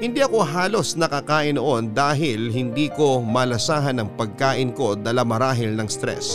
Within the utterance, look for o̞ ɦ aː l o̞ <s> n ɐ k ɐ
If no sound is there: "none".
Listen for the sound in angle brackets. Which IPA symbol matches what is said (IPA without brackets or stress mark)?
s